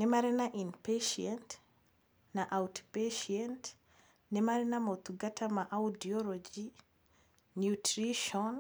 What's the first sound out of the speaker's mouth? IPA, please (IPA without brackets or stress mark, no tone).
n